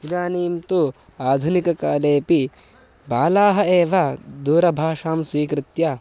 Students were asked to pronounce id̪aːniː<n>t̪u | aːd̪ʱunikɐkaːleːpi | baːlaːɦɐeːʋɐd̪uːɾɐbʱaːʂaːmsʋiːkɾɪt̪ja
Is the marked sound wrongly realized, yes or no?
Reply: yes